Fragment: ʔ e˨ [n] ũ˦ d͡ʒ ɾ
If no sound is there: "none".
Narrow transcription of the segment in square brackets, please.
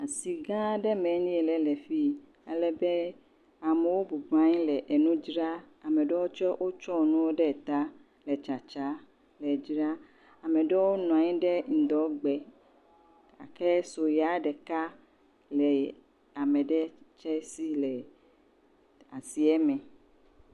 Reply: n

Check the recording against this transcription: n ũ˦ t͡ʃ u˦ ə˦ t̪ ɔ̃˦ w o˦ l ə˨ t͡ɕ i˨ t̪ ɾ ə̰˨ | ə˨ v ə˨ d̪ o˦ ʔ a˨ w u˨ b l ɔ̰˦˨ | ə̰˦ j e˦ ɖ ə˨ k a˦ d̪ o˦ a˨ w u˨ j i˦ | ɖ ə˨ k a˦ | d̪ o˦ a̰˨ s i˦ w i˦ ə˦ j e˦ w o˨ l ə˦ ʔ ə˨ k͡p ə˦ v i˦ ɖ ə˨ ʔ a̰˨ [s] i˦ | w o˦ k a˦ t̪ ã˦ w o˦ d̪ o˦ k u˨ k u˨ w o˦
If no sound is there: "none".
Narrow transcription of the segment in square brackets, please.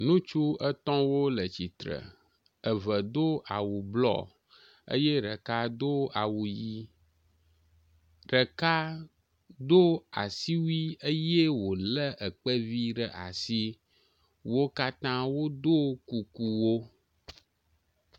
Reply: s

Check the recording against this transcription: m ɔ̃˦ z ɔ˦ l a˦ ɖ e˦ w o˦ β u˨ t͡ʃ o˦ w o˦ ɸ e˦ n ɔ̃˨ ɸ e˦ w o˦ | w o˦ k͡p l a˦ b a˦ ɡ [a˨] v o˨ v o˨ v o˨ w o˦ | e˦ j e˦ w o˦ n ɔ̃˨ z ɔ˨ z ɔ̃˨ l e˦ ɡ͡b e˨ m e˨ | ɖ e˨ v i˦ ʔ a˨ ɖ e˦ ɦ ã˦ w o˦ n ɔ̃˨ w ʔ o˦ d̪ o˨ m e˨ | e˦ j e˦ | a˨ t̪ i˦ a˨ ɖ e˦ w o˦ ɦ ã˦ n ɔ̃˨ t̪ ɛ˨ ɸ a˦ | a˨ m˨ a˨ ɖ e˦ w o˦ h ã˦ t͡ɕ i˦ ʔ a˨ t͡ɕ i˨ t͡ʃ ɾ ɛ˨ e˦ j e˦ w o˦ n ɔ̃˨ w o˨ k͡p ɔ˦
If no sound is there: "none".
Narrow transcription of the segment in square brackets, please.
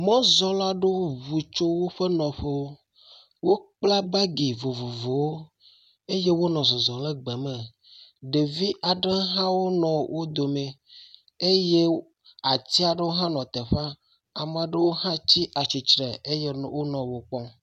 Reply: i˨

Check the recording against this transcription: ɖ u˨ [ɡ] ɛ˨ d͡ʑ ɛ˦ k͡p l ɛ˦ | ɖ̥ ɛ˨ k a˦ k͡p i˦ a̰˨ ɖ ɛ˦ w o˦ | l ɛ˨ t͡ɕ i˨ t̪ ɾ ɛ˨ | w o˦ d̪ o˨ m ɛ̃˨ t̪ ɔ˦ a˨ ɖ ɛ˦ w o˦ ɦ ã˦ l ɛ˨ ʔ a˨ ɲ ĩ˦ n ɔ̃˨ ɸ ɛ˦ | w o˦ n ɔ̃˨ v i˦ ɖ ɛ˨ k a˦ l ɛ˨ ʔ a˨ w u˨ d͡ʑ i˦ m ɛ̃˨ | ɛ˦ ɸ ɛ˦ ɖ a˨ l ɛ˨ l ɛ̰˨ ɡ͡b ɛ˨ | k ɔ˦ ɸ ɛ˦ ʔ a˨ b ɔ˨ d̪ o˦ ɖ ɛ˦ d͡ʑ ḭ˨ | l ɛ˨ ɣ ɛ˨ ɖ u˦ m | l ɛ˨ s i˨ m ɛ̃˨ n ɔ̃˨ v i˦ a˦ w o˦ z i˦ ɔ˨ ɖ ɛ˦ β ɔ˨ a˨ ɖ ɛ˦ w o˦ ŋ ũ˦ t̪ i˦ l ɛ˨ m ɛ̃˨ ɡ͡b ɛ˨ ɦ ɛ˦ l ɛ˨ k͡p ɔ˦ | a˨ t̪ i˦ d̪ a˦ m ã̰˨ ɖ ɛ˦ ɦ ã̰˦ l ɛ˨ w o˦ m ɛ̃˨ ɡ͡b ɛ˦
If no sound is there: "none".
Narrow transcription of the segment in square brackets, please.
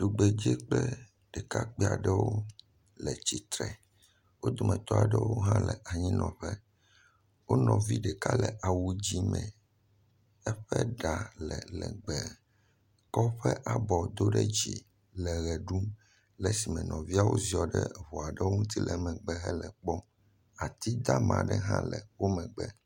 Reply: ɡ͡b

